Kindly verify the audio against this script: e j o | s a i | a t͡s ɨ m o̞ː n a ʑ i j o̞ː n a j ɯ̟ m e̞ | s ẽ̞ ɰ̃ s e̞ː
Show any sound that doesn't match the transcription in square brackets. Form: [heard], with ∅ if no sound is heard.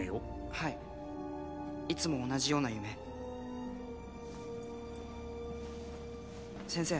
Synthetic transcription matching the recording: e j o | [h] a i | [i] t͡s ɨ m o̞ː n a ʑ i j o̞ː n a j ɯ̟ m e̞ | s ẽ̞ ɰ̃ s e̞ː

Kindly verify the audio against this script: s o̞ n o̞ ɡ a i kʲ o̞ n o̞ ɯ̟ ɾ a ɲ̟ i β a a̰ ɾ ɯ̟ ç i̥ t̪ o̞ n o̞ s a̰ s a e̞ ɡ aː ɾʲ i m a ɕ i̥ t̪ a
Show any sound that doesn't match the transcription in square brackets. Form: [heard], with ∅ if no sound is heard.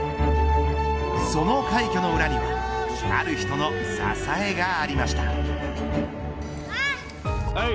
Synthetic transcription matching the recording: s o̞ n o̞ [k] a i kʲ o̞ n o̞ ɯ̟ ɾ a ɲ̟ i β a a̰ ɾ ɯ̟ ç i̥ t̪ o̞ n o̞ s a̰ s a e̞ ɡ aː ɾʲ i m a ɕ i̥ t̪ a

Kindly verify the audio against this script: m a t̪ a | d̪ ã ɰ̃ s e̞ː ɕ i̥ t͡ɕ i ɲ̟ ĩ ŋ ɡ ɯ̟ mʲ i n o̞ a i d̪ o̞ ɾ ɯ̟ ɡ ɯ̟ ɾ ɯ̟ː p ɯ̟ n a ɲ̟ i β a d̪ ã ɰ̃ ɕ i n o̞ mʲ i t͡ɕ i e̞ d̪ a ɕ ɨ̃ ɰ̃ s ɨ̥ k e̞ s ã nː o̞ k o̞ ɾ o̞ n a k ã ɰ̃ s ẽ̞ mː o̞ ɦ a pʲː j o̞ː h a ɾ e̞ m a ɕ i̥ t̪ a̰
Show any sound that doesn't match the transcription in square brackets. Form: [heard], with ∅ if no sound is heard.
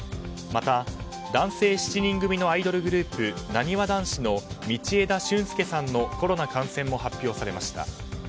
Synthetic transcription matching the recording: m a t̪ a | d̪ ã ɰ̃ s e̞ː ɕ i̥ t͡ɕ i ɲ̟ ĩ ŋ ɡ ɯ̟ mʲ i n o̞ a i d̪ o̞ ɾ ɯ̟ ɡ ɯ̟ ɾ ɯ̟ː p ɯ̟ n a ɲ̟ i β a d̪ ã ɰ̃ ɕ i n o̞ mʲ i t͡ɕ i e̞ d̪ a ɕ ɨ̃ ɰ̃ s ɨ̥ k e̞ s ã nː o̞ k o̞ ɾ o̞ n a k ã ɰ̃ s ẽ̞ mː o̞ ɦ a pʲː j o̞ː [s] a ɾ e̞ m a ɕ i̥ t̪ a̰

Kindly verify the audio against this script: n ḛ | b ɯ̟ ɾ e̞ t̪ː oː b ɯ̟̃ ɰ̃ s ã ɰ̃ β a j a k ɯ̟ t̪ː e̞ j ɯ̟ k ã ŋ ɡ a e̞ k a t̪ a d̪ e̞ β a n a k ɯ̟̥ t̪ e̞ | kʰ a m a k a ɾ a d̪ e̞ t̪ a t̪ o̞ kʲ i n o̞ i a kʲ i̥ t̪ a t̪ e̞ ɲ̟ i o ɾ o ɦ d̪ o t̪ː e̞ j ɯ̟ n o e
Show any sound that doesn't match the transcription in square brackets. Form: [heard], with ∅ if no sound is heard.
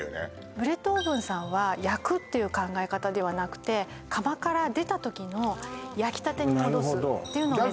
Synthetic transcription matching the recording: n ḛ | b ɯ̟ ɾ e̞ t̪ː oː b ɯ̟̃ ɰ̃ s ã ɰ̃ β a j a k ɯ̟ t̪ː e̞ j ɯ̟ k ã ŋ ɡ a e̞ k a t̪ a d̪ e̞ β a n a k ɯ̟̥ t̪ e̞ | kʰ a m a k a ɾ a d̪ e̞ t̪ a t̪ o̞ kʲ i n o̞ [j] a kʲ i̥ t̪ a t̪ e̞ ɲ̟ i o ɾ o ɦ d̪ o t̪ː e̞ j ɯ̟ n o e

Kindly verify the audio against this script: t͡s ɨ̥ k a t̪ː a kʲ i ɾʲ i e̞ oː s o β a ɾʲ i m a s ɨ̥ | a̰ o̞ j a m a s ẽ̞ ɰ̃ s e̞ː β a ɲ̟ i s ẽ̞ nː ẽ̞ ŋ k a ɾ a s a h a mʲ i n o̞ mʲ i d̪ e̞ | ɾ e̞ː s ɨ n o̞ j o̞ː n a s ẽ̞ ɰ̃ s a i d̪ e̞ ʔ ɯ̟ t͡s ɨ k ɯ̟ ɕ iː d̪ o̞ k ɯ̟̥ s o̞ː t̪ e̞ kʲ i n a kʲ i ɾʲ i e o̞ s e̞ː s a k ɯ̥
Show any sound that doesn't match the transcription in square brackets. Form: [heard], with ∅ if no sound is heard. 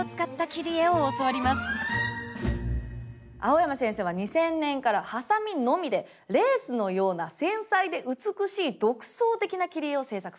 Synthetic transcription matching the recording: t͡s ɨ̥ k a t̪ː a kʲ i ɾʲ i e̞ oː s o β a ɾʲ i m a s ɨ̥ | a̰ o̞ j a m a s ẽ̞ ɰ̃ s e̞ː β a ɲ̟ i s ẽ̞ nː ẽ̞ ŋ k a ɾ a [h] a [s] a mʲ i n o̞ mʲ i d̪ e̞ | ɾ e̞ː s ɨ n o̞ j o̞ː n a s ẽ̞ ɰ̃ s a i d̪ e̞ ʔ ɯ̟ t͡s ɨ k ɯ̟ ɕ iː d̪ o̞ k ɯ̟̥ s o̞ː t̪ e̞ kʲ i n a kʲ i ɾʲ i e o̞ s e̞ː s a k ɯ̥

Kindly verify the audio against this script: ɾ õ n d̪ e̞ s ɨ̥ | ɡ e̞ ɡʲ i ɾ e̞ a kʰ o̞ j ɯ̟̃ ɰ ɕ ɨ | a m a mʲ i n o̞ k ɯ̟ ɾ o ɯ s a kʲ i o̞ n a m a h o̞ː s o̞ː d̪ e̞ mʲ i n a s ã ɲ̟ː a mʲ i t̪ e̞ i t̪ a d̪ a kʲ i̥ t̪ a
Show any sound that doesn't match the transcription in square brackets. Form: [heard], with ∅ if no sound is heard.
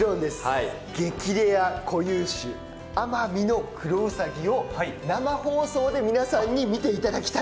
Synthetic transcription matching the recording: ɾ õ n d̪ e̞ s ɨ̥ | ɡ e̞ [kʲ] i ɾ e̞ a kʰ o̞ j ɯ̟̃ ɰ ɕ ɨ | a m a mʲ i n o̞ k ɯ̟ ɾ o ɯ s a [ɡʲ] i o̞ n a m a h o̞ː s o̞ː d̪ e̞ mʲ i n a s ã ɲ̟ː [i] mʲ i t̪ e̞ i t̪ a d̪ a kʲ i̥ t̪ a

